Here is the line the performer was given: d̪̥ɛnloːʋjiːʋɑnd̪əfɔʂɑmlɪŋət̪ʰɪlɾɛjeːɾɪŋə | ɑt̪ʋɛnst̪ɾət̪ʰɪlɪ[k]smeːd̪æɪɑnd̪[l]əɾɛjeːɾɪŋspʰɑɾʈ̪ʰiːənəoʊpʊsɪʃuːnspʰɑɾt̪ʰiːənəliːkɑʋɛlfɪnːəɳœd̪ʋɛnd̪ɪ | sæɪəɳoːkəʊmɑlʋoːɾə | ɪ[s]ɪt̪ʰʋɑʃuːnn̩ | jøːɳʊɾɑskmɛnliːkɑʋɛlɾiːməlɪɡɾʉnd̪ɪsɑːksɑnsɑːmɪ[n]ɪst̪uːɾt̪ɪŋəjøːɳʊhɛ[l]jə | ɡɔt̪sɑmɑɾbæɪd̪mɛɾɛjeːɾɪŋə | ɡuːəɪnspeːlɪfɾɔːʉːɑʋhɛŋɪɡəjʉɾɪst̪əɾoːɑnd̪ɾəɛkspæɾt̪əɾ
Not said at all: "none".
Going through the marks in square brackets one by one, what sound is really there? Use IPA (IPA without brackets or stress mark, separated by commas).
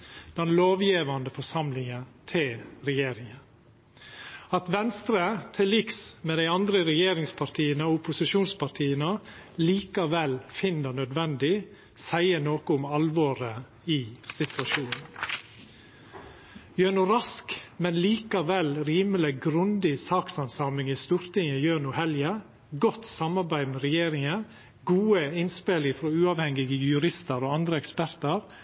k, ɾ, s, ŋ, l